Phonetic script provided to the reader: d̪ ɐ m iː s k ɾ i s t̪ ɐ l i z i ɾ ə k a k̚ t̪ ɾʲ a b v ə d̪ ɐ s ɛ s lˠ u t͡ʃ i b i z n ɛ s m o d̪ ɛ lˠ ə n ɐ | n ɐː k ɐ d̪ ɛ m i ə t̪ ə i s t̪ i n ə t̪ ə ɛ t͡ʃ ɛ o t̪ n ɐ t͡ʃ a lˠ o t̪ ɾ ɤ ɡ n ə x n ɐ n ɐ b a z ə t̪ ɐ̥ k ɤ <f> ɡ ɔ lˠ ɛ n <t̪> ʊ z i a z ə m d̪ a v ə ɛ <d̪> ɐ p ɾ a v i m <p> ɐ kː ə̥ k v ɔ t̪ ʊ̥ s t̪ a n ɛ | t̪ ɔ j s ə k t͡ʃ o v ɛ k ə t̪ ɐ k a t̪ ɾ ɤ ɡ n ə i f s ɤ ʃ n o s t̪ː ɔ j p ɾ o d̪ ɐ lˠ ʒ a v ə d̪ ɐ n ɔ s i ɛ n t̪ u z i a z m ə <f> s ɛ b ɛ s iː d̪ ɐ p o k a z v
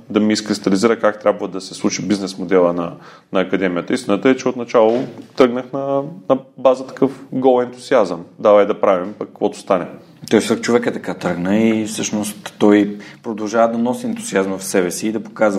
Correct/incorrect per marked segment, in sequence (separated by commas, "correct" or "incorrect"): correct, correct, correct, correct, correct